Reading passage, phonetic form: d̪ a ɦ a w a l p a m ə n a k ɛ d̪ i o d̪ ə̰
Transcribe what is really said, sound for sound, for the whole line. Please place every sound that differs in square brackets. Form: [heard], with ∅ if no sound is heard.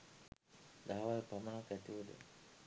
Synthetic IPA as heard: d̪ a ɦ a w a l p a m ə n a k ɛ [t̪] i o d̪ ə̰